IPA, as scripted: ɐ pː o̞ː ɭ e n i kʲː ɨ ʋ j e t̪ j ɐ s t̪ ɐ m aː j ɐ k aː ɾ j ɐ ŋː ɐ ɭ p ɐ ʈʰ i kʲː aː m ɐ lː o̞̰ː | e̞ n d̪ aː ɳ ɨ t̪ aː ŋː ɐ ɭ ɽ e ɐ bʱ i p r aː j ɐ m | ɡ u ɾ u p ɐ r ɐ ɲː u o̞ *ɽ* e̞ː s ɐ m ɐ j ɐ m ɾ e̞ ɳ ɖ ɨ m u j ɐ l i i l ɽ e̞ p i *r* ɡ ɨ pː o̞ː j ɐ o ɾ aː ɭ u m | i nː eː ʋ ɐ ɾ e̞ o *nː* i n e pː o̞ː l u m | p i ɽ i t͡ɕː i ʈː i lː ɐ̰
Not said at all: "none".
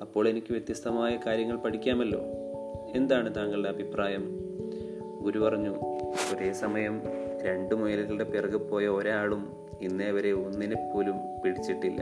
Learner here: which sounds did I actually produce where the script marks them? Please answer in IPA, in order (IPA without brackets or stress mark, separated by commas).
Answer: ɾ, r, nː